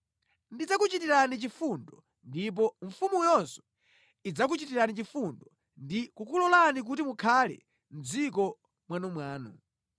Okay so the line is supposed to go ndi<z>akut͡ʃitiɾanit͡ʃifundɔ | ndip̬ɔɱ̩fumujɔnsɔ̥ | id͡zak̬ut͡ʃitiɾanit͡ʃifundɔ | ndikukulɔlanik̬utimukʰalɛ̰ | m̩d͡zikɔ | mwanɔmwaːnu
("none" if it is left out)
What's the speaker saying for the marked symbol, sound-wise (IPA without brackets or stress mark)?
d͡z